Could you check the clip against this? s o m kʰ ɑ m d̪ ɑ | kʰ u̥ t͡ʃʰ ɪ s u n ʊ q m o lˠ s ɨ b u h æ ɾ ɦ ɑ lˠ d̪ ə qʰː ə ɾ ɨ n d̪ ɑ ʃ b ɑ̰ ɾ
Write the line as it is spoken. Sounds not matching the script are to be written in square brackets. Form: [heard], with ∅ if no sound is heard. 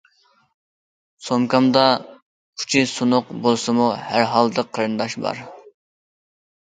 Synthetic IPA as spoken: s o m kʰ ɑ m d̪ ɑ | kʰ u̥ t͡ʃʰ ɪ s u n ʊ q [b] o lˠ s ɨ [m] u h æ ɾ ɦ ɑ lˠ d̪ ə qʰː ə ɾ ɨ n d̪ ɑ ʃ b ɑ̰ ɾ